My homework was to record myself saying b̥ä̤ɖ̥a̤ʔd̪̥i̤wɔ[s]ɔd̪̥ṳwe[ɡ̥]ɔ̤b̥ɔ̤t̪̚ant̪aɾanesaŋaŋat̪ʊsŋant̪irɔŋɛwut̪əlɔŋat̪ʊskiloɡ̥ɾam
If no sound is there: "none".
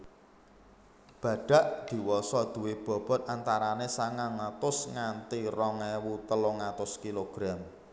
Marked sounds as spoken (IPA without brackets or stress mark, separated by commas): s, b̥